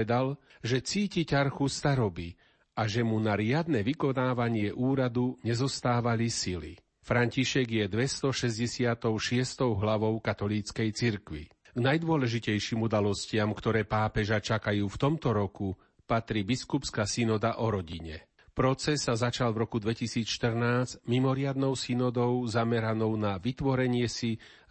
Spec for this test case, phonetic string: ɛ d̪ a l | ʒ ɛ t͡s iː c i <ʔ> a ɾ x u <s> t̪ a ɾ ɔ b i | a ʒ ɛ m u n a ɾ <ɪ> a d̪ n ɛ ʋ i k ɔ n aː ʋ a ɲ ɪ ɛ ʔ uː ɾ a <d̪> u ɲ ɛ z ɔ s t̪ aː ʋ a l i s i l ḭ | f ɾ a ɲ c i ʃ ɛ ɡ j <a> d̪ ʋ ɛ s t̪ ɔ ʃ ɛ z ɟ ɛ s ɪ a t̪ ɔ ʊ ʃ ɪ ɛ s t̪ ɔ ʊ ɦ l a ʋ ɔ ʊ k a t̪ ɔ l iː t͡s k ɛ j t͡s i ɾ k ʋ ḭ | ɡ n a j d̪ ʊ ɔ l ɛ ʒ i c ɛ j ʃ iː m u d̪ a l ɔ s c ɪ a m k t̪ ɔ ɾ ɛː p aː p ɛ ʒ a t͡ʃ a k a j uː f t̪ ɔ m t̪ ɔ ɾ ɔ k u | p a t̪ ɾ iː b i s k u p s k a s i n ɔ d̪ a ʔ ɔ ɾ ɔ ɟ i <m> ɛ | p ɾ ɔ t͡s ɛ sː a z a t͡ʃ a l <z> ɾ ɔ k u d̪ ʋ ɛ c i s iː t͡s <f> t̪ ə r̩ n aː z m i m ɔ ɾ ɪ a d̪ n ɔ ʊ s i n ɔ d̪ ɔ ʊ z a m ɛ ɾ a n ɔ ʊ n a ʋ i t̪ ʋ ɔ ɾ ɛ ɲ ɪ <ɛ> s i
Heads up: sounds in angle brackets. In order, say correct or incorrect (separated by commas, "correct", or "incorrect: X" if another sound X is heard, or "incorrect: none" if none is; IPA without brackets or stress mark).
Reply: incorrect: c, correct, correct, correct, incorrect: ɛ, incorrect: ɲ, incorrect: v, incorrect: ʃ, correct